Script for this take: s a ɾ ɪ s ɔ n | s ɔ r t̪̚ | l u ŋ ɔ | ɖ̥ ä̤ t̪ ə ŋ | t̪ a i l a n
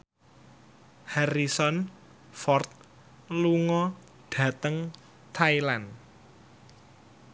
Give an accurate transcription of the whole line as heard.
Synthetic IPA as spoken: h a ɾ i s ɔ n | f ɔ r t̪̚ | l u ŋ ɔ | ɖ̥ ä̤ t̪ ə ŋ | t̪ʰ a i l a n